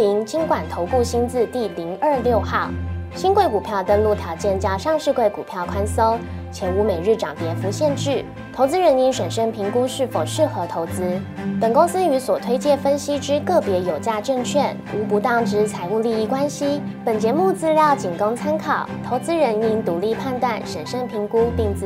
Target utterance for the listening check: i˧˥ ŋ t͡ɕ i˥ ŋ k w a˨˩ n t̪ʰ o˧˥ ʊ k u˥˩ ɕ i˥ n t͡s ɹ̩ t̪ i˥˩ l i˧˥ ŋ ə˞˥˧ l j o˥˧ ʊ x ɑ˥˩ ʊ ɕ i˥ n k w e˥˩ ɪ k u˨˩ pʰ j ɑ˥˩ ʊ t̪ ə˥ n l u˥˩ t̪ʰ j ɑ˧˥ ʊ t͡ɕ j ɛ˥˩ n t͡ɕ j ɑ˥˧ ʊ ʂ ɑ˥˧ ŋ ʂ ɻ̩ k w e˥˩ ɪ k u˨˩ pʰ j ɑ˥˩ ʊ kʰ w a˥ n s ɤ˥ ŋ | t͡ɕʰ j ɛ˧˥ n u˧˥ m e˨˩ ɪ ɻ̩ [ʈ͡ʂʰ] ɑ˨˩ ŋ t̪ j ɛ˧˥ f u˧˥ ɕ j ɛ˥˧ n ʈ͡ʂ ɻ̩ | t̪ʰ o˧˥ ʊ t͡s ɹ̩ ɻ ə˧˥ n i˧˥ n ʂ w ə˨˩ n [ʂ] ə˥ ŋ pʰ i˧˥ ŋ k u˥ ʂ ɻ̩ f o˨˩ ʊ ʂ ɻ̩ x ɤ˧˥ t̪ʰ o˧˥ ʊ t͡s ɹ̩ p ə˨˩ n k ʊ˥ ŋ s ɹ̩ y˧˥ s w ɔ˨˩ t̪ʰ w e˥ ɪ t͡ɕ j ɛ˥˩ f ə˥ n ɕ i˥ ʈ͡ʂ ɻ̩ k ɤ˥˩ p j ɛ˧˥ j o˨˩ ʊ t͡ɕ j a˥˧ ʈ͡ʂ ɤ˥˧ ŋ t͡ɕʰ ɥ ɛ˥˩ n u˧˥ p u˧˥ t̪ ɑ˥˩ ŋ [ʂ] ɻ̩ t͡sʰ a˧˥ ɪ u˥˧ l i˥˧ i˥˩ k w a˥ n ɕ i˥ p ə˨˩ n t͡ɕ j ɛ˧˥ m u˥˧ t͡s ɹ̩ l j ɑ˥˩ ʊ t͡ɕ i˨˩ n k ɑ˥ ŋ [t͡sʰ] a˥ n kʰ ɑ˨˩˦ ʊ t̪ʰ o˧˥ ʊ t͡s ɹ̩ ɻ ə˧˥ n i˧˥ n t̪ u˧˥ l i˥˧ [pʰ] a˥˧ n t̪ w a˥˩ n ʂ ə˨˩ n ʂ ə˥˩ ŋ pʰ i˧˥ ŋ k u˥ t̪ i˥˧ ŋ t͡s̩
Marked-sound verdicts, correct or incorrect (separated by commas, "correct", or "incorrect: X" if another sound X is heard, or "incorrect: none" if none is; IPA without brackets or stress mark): incorrect: ʈ͡ʂ, correct, incorrect: ʈ͡ʂ, correct, correct